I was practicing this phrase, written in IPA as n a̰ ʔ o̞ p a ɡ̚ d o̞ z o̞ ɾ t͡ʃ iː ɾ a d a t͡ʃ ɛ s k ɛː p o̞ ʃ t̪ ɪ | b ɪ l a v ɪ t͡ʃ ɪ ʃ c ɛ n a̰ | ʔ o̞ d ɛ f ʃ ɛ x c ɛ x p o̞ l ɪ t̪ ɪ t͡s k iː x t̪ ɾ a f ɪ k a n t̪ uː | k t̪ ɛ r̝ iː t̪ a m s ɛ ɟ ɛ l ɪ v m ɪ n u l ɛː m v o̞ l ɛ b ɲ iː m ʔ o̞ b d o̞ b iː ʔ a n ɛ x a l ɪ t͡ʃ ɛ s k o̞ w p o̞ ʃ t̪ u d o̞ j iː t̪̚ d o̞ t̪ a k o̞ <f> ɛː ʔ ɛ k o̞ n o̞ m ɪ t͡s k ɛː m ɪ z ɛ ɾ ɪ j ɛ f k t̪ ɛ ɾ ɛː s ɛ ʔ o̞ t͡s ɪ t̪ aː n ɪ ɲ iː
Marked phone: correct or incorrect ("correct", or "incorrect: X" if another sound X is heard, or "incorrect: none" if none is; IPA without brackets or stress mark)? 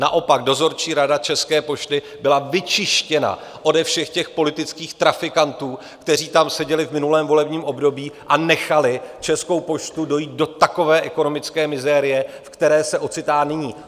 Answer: incorrect: v